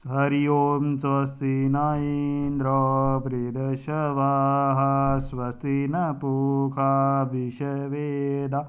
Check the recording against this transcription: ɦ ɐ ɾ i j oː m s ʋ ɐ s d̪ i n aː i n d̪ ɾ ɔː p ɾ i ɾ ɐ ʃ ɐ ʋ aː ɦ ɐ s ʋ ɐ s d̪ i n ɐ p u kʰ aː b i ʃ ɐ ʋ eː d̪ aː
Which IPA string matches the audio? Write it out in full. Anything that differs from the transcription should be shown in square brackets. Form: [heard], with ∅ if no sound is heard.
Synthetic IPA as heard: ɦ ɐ ɾ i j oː m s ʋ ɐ s [t̪] i n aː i n d̪ ɾ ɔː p ɾ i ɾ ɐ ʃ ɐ ʋ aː ɦ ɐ s ʋ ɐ s [t̪] i n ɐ p u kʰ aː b i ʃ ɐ ʋ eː d̪ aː

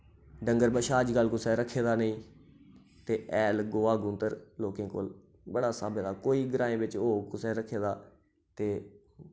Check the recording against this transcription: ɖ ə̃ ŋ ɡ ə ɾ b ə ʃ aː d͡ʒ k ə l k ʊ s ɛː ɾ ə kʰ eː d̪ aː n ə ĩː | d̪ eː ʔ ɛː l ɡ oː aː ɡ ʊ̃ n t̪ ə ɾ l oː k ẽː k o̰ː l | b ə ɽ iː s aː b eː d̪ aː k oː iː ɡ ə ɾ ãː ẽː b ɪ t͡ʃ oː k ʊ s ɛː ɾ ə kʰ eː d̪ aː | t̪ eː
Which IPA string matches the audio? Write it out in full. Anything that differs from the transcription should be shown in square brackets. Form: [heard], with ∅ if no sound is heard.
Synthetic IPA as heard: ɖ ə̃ ŋ ɡ ə ɾ b ə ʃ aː d͡ʒ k ə l k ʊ s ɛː ɾ ə kʰ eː d̪ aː n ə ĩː | [t̪] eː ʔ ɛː l ɡ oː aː ɡ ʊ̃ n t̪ ə ɾ l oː k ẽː k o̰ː l | b ə ɽ [aː] s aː b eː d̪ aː k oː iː ɡ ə ɾ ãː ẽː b ɪ t͡ʃ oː k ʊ s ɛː ɾ ə kʰ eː d̪ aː | t̪ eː

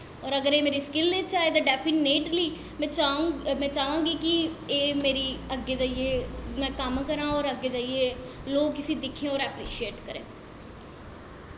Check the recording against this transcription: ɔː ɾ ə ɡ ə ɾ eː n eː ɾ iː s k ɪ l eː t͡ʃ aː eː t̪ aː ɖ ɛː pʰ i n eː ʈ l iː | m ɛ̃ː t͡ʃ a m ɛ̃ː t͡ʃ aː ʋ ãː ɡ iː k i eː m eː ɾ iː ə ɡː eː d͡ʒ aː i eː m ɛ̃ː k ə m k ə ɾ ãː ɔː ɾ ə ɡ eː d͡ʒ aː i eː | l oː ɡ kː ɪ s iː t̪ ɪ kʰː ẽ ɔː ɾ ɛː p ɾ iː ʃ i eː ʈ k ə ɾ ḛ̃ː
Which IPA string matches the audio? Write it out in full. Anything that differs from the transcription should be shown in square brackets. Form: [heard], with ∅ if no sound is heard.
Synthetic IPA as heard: ɔː ɾ ə ɡ ə ɾ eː [m] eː ɾ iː s k ɪ l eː t͡ʃ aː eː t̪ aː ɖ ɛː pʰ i n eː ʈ l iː | m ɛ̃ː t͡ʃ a m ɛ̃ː t͡ʃ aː ʋ ãː ɡ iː k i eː m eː ɾ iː ə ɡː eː d͡ʒ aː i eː m ɛ̃ː k ə m k ə ɾ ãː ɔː ɾ ə ɡ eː d͡ʒ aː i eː | l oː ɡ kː ɪ s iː [d̪] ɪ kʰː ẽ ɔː ɾ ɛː p ɾ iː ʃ i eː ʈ k ə ɾ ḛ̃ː

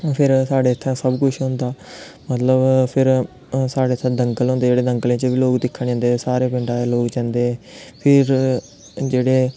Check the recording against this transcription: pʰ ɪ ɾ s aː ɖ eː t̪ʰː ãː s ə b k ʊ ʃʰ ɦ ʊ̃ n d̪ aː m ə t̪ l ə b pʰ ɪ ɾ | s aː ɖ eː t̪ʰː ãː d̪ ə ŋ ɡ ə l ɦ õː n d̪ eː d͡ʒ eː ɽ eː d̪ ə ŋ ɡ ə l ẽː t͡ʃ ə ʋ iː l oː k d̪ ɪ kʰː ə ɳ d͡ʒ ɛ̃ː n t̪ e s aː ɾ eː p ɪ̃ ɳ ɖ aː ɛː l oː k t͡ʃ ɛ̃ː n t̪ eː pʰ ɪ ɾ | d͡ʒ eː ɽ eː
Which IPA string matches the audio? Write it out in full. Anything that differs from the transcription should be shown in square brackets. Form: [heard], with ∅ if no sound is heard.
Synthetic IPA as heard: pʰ ɪ ɾ s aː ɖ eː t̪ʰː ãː s ə b k ʊ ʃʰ ɦ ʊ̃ n d̪ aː m ə t̪ l ə b pʰ ɪ ɾ | s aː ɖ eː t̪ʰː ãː d̪ ə ŋ ɡ ə l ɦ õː n d̪ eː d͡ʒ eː ɽ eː d̪ ə ŋ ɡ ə l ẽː t͡ʃ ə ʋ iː l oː k d̪ ɪ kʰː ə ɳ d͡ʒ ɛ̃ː n [d̪] e s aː ɾ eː p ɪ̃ ɳ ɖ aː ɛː l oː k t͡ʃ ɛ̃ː n [d̪] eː pʰ ɪ ɾ | d͡ʒ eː ɽ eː

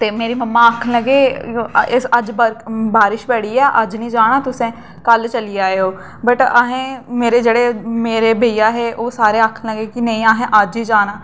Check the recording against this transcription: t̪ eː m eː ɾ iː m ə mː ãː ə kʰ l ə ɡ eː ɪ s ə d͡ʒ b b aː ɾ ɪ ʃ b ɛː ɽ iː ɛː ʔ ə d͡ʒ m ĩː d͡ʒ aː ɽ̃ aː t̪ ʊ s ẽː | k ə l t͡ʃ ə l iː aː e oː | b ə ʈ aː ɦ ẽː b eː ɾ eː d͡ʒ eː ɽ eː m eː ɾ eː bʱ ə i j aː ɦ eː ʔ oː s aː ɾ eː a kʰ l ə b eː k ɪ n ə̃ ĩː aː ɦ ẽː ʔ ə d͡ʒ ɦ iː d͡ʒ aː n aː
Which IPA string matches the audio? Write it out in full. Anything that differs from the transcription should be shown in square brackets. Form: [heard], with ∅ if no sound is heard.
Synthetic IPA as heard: t̪ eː m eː ɾ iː m ə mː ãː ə kʰ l ə ɡ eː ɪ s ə d͡ʒ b b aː ɾ ɪ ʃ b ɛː ɽ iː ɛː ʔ ə d͡ʒ [n] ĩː d͡ʒ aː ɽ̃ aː t̪ ʊ s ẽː | k ə l t͡ʃ ə l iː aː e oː | b ə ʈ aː ɦ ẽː [m] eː ɾ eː d͡ʒ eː ɽ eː m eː ɾ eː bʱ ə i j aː ɦ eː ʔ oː s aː ɾ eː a kʰ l ə [ɡ] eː k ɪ n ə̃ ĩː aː ɦ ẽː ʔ ə d͡ʒ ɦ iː d͡ʒ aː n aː

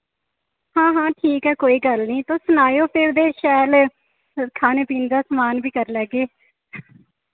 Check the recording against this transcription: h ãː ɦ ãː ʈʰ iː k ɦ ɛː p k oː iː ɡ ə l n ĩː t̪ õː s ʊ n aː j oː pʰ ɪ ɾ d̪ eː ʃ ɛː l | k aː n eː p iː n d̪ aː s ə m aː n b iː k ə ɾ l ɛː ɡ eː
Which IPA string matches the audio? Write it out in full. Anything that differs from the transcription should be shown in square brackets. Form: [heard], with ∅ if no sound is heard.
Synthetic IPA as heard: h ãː ɦ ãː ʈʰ iː k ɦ ɛː [∅] k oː iː ɡ ə l n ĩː t̪ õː s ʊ n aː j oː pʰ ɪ ɾ d̪ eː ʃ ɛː l | [kʰ] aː n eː p iː n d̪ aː s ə m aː n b iː k ə ɾ l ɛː ɡ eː

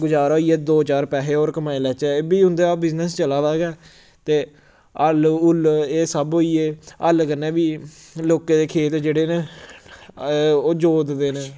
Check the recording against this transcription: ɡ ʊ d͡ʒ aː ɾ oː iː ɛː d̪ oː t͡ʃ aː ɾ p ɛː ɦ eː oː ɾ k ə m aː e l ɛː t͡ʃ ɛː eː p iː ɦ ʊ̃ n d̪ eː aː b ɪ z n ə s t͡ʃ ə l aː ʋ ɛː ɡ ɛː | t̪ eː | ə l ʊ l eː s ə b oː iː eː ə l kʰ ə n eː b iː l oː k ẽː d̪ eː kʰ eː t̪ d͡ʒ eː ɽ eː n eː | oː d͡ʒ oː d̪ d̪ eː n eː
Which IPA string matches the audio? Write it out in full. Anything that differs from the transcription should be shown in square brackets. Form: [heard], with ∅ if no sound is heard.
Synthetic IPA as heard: ɡ ʊ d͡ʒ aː ɾ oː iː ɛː d̪ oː t͡ʃ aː ɾ p ɛː ɦ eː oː ɾ k ə m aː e l ɛː t͡ʃ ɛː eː [b] iː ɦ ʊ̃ n d̪ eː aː b ɪ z n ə s t͡ʃ ə l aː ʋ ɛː ɡ ɛː | t̪ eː | ə l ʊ l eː s ə b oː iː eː ə l [k] ə n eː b iː l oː k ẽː d̪ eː kʰ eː t̪ d͡ʒ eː ɽ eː n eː | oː d͡ʒ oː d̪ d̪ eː n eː

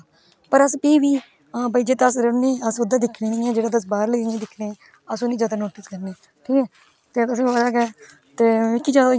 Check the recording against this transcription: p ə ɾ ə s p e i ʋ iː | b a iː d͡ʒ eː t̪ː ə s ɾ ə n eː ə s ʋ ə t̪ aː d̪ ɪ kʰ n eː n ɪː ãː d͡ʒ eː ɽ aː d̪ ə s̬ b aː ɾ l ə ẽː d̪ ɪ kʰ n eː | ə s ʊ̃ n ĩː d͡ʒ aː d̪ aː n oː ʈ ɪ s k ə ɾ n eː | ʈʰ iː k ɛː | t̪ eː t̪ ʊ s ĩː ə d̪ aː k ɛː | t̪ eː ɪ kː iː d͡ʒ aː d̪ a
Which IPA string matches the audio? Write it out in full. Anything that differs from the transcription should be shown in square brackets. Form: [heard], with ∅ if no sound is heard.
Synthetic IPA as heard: p ə ɾ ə s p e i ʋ iː | b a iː d͡ʒ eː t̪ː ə s ɾ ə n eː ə s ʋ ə [d̪] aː d̪ ɪ kʰ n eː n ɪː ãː d͡ʒ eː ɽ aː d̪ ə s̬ b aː ɾ l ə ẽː d̪ ɪ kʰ n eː | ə s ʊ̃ n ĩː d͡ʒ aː d̪ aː n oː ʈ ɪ s k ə ɾ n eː | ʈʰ iː k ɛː | t̪ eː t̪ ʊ s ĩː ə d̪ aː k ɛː | t̪ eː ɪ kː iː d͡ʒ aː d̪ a

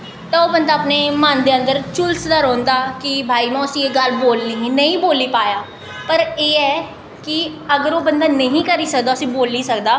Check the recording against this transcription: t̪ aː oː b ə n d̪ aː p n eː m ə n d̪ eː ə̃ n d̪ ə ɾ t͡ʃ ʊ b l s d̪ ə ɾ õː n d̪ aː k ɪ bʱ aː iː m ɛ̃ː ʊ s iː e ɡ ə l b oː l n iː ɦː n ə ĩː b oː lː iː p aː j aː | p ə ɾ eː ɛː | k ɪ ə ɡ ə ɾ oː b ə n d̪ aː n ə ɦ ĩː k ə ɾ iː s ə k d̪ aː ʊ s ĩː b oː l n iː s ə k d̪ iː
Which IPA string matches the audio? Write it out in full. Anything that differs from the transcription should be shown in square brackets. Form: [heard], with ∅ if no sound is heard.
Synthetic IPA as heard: t̪ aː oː b ə n d̪ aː p n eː m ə n d̪ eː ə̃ n d̪ ə ɾ t͡ʃ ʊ [∅] l s d̪ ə ɾ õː n d̪ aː k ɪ bʱ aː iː m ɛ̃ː ʊ s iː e ɡ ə l b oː l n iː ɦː n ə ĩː b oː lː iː p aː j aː | p ə ɾ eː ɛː | k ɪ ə ɡ ə ɾ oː b ə n d̪ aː n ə ɦ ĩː k ə ɾ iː s ə k d̪ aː ʊ s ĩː b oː l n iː s ə k d̪ [aː]

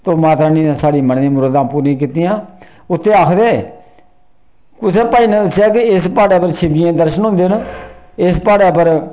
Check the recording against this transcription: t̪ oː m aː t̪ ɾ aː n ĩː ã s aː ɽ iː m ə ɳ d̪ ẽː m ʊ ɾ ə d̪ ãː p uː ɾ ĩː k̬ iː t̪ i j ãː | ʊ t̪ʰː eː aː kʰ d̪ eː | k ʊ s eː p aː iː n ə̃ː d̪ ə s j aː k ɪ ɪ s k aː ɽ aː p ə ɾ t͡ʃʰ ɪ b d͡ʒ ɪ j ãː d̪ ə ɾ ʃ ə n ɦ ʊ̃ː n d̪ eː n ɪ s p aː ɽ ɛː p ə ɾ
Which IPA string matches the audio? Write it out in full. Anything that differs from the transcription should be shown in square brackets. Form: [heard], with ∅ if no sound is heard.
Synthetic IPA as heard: t̪ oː m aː t̪ ɾ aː n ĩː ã s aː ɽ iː m ə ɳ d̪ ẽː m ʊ ɾ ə d̪ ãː p uː ɾ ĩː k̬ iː t̪ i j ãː | ʊ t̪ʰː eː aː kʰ d̪ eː | k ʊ s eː p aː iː n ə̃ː d̪ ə s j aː k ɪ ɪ s [p] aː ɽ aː p ə ɾ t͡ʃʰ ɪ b d͡ʒ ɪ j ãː d̪ ə ɾ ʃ ə n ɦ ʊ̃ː n d̪ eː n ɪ s p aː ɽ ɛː p ə ɾ

